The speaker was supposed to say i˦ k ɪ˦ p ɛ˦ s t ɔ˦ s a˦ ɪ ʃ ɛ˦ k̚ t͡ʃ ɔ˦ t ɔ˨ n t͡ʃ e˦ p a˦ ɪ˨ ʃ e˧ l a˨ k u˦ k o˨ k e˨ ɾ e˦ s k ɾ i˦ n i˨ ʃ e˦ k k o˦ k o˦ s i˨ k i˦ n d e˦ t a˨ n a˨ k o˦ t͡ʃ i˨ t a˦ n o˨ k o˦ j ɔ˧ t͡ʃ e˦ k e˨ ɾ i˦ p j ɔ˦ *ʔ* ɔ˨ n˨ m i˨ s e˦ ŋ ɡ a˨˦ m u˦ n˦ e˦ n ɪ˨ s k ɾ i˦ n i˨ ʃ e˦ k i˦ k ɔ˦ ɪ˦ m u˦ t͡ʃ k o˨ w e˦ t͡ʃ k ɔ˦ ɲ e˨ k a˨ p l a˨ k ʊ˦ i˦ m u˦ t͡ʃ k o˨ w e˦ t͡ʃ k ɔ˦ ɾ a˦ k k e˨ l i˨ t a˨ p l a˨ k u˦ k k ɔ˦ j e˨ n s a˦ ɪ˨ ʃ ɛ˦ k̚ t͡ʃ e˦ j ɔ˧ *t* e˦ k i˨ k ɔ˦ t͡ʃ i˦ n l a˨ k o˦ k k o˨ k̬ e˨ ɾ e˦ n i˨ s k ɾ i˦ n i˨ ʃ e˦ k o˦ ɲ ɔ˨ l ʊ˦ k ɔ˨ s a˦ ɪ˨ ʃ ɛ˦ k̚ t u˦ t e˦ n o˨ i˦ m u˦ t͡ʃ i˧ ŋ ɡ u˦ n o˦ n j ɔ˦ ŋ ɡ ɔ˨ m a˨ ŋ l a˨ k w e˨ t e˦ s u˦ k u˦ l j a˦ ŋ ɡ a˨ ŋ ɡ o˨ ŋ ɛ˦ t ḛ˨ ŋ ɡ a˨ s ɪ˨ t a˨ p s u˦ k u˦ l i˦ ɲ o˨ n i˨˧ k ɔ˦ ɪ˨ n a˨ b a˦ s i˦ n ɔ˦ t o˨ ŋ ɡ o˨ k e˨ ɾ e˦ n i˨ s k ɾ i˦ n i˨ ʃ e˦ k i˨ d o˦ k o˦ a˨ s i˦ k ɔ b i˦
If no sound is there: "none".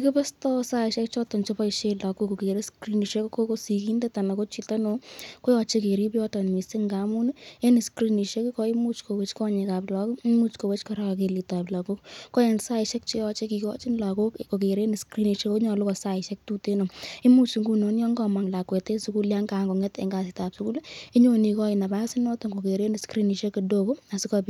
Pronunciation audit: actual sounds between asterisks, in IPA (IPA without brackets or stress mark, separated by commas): t, t͡ʃ